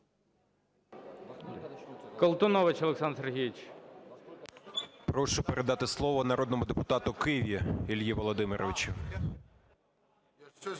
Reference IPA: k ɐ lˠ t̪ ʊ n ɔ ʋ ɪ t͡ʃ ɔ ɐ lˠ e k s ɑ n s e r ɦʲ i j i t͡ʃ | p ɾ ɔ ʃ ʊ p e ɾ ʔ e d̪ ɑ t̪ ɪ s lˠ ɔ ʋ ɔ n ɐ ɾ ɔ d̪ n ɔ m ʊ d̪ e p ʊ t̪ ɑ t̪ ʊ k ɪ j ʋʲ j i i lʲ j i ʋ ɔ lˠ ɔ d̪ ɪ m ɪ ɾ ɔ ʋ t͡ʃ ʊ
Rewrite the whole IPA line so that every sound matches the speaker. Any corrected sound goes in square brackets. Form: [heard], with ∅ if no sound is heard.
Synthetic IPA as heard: k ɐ lˠ t̪ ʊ n ɔ ʋ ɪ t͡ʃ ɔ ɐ lˠ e k s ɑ n s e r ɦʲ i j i t͡ʃ | p ɾ ɔ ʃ ʊ p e ɾ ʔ e d̪ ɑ t̪ ɪ s lˠ ɔ ʋ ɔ n ɐ ɾ ɔ d̪ n ɔ m ʊ d̪ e p ʊ t̪ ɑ t̪ ʊ k ɪ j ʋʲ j i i lʲ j i ʋ ɔ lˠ ɔ d̪ ɪ m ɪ ɾ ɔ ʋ t͡ʃ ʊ